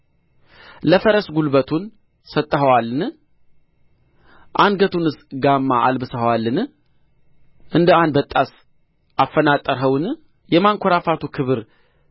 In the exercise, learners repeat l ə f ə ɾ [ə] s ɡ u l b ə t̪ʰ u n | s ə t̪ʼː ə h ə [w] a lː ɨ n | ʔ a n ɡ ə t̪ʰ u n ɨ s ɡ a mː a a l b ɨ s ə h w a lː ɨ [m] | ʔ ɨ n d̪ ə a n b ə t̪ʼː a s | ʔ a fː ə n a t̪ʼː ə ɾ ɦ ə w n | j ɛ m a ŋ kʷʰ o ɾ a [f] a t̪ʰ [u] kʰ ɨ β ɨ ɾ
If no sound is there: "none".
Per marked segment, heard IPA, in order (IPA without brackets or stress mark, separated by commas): ə, w, n, f, u